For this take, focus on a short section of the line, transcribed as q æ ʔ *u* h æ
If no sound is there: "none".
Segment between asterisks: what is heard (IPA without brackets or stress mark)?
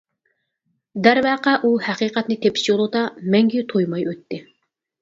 u